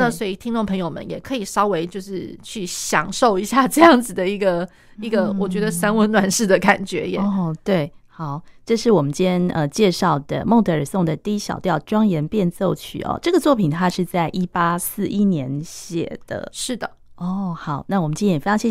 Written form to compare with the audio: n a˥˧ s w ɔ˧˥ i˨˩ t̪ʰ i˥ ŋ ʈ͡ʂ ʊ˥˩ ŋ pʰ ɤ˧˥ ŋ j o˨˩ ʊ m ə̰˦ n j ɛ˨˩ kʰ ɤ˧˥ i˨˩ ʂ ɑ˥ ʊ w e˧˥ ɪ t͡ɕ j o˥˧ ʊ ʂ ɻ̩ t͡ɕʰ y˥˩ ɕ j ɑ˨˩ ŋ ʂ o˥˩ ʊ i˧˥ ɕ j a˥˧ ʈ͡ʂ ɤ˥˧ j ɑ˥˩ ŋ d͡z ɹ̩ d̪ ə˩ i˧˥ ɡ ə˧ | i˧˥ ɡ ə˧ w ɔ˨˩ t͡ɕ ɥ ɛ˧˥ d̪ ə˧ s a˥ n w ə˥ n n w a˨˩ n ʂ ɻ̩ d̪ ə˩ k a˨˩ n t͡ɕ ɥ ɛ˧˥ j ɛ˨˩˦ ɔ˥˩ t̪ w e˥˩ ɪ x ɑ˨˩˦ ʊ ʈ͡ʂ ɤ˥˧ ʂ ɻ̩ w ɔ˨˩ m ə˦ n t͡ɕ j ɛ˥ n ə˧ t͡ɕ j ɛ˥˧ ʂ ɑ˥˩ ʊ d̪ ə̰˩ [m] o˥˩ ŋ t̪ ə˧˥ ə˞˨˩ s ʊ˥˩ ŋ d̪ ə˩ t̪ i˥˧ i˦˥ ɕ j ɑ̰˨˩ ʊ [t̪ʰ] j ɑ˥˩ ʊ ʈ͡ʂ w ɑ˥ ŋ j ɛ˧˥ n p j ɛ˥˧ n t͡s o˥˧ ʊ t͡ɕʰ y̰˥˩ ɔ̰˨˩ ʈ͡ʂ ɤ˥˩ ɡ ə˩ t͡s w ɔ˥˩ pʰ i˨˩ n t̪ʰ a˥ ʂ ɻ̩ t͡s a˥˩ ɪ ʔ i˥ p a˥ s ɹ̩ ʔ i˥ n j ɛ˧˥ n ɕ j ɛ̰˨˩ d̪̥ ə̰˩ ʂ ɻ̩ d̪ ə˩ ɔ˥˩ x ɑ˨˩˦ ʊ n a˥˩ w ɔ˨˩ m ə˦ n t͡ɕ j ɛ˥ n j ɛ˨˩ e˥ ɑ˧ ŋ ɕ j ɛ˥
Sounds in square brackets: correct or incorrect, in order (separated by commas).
correct, incorrect